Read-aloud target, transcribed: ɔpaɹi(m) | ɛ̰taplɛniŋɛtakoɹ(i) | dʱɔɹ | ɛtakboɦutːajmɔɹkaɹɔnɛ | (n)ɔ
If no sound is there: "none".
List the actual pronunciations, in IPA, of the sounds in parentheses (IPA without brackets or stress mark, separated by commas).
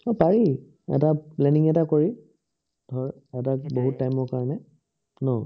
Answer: none, i, n